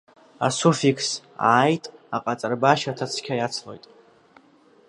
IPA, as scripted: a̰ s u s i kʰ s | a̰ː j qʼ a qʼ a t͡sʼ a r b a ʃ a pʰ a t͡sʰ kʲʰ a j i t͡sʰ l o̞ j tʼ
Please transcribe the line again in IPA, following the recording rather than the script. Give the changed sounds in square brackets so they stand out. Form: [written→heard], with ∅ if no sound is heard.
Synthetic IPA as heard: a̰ s u [s→f] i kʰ s | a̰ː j [qʼ→tʼ] a qʼ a t͡sʼ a r b a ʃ a [pʰ→tʰ] a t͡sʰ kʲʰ a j [i→a] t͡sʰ l o̞ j tʼ